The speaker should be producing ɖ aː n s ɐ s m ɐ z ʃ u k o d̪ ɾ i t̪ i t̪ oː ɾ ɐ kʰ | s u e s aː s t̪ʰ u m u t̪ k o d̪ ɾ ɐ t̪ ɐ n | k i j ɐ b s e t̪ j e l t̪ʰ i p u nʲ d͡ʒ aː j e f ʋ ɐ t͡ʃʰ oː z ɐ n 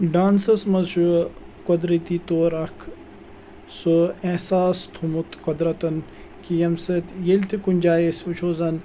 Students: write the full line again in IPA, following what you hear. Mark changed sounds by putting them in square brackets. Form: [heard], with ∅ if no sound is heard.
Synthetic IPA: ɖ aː n s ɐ s m ɐ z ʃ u k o d̪ ɾ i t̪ i t̪ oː ɾ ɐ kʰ | s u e s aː s t̪ʰ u m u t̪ k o d̪ ɾ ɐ t̪ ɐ n | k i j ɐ [m] s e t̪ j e l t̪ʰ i [k] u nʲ d͡ʒ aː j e [s] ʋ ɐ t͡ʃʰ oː z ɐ n